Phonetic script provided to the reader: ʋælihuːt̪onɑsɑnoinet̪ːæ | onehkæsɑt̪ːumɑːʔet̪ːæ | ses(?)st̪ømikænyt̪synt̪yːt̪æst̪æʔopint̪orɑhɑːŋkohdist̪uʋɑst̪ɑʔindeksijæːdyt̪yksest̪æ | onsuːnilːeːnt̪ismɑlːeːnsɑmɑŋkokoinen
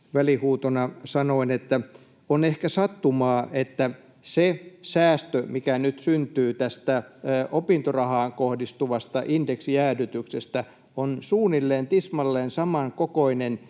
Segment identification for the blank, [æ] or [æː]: æː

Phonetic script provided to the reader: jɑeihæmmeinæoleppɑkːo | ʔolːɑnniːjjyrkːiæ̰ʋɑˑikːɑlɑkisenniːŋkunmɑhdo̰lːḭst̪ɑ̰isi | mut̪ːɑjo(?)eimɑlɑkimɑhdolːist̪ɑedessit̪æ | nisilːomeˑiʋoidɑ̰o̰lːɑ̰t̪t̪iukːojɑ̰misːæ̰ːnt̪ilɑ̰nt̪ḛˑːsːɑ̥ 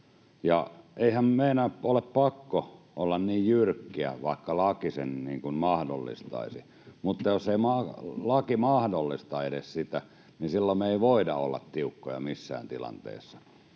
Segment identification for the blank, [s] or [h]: s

